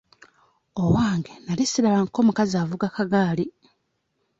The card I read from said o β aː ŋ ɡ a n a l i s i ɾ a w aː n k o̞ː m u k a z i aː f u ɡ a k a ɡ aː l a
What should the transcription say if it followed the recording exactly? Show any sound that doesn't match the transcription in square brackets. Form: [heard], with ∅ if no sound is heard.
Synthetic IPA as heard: o [w] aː ŋ ɡ [e] n a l i s i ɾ a [β] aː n k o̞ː m u k a z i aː [v] u ɡ a k a ɡ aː l [i]